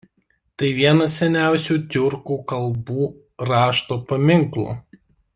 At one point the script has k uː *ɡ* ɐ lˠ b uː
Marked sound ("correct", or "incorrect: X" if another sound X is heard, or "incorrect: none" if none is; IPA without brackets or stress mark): incorrect: k